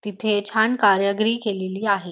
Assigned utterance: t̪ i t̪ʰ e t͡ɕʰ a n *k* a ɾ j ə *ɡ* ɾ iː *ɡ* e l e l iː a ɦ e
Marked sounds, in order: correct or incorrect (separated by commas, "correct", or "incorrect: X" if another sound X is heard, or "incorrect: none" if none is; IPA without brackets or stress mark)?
correct, correct, incorrect: k